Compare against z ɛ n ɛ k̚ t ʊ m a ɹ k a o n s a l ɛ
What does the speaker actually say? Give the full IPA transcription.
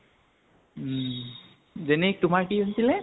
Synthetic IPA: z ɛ n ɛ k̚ t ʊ m a ɹ k i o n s i l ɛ